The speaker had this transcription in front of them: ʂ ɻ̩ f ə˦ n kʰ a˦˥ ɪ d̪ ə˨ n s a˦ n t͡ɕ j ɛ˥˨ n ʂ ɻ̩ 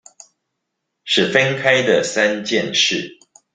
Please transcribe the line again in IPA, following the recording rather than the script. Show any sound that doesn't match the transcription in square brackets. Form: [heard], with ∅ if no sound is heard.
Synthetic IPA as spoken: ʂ ɻ̩ f ə˦ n kʰ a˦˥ ɪ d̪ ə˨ [∅] s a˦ n t͡ɕ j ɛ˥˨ n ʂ ɻ̩